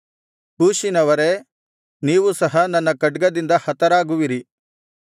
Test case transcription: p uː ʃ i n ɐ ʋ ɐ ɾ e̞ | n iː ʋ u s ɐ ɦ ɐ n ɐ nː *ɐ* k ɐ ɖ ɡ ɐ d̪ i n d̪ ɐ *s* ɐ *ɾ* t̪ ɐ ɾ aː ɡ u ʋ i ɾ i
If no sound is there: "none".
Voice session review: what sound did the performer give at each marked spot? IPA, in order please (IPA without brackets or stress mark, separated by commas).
ɐ, h, none